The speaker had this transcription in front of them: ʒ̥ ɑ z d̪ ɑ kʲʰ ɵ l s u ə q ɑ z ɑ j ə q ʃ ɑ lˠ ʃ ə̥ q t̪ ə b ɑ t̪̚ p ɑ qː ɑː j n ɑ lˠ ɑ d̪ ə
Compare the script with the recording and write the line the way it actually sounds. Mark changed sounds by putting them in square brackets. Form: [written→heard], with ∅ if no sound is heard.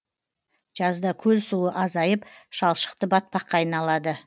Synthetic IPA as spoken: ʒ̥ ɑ z d̪ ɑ kʲʰ ɵ l s u ə [q→ʔ] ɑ z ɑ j ə [q→p] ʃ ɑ lˠ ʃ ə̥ q t̪ ə b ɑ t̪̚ p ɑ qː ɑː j n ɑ lˠ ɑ d̪ ə